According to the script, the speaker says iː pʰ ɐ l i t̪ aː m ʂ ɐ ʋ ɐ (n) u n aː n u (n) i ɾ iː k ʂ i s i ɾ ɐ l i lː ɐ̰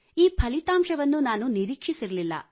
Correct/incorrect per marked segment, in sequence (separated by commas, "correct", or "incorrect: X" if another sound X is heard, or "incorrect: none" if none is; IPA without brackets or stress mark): incorrect: nː, correct